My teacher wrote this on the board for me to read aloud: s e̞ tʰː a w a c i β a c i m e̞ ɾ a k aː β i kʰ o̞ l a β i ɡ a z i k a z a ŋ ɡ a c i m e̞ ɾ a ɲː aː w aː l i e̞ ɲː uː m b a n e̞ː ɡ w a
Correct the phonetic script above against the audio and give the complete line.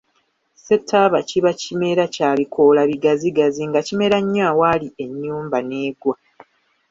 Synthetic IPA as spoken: s e̞ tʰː a β a c i β a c i m e̞ ɾ a c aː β i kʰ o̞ l a β i ɡ a z i ɡ a z i ŋ ɡ a c i m e̞ ɾ a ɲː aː w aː l i e̞ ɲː uː m b a n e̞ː ɡ w a